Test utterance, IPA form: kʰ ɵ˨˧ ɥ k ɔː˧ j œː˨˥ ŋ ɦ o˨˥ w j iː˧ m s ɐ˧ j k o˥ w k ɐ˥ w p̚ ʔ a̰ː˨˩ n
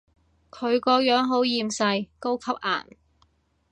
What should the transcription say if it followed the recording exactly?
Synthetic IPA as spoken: kʰ ɵ˨˧ ɥ k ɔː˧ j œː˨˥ ŋ ɦ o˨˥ w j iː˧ m s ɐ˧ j k o˥ w kʰ ɐ˥ p̚ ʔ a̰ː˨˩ n